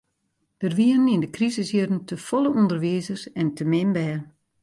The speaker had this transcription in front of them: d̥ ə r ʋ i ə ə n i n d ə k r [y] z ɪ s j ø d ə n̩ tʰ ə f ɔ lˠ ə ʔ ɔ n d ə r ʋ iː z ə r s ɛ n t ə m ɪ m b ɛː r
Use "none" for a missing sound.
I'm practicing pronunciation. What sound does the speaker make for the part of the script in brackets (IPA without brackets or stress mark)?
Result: i